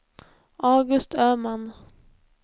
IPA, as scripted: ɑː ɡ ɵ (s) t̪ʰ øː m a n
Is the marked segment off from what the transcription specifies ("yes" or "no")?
no